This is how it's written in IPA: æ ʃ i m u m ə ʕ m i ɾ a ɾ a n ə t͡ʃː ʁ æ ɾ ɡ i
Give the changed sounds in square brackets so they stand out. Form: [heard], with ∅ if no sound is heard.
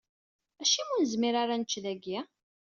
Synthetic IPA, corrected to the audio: æ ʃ i m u [n] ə [z] m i ɾ a ɾ a n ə t͡ʃː [ð] æ [∅] ɡ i